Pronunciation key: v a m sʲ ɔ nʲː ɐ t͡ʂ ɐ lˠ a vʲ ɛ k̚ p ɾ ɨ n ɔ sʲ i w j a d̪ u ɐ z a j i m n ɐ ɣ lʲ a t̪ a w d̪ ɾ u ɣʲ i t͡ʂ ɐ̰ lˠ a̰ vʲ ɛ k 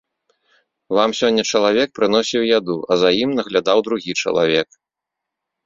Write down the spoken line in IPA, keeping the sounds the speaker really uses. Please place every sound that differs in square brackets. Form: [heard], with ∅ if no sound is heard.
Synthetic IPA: v a m sʲ ɔ nʲː ɐ t͡ʂ ɐ lˠ a vʲ ɛ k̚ p ɾ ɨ n ɔ sʲ i w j a d̪ u ɐ z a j i m n ɐ ɣ lʲ a [d̪] a w d̪ ɾ u ɣʲ i t͡ʂ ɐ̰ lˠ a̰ vʲ ɛ k